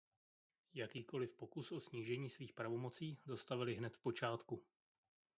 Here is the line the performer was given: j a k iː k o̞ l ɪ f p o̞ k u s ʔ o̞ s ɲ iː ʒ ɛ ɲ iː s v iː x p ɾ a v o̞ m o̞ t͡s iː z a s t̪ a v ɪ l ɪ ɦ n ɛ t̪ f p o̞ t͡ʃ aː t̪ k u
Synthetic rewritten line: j a k iː k o̞ l ɪ f p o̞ k u s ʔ o̞ s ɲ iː ʒ ɛ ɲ iː s v iː x p ɾ a v o̞ m o̞ t͡s iː z a s t̪ a v ɪ l ɪ ɦ n ɛ t̪ f p o̞ t͡ʃ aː t̪ k u